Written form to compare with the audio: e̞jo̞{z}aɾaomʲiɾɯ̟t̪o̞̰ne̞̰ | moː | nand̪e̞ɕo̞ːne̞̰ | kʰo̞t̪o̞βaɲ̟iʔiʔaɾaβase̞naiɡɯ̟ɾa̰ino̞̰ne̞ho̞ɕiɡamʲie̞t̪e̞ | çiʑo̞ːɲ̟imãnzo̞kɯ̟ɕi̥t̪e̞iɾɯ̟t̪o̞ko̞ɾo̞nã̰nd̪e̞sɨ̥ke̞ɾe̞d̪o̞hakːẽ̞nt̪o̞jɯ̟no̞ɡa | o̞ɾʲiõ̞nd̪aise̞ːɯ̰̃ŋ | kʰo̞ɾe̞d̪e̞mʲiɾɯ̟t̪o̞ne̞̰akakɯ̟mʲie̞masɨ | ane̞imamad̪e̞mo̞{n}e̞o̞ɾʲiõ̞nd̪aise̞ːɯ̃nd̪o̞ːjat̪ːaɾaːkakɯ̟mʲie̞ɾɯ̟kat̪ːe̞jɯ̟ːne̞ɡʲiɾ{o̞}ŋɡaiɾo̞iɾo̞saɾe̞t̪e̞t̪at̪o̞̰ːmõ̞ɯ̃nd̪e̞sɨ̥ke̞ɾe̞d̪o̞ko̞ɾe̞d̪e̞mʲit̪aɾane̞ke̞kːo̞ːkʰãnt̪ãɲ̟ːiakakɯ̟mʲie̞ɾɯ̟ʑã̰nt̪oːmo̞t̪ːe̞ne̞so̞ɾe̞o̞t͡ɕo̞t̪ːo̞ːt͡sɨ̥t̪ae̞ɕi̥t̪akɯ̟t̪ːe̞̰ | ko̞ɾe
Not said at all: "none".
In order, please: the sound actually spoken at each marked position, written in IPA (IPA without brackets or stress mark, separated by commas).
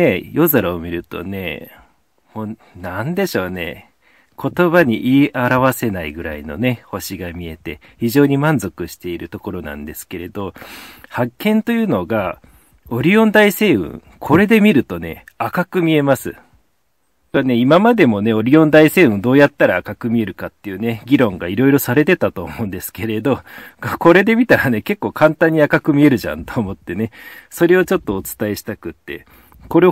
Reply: z, n, õ̞